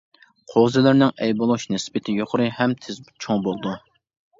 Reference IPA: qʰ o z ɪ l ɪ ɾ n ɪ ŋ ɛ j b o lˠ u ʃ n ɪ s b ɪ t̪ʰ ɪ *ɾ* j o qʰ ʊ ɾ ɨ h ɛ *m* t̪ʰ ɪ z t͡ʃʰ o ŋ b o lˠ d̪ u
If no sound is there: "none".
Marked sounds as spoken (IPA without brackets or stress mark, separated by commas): none, m